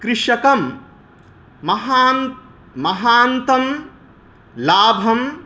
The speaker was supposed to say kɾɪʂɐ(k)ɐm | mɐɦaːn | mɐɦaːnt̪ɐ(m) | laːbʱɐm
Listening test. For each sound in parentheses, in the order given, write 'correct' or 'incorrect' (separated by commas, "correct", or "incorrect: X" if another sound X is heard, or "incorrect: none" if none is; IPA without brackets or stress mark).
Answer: correct, correct